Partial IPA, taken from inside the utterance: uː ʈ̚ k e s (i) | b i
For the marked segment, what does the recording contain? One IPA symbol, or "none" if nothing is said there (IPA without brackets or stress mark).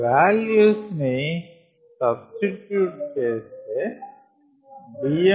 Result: e